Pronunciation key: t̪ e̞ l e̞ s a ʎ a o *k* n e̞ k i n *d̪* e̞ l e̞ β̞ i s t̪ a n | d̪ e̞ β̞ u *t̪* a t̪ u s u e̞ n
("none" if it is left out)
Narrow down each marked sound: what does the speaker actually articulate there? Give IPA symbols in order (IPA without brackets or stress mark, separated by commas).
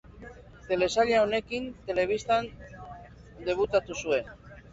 none, t̪, t̪